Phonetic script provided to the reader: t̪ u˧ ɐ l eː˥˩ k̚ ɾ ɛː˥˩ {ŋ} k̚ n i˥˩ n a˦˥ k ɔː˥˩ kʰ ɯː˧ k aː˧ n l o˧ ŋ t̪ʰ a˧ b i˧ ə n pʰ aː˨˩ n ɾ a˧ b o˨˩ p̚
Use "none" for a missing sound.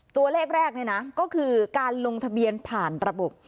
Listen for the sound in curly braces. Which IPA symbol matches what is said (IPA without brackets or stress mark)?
none